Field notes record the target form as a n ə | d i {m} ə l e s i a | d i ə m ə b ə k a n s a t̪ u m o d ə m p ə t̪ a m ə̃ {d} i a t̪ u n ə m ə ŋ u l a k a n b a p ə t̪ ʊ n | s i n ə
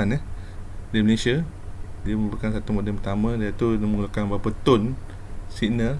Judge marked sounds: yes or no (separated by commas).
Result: yes, yes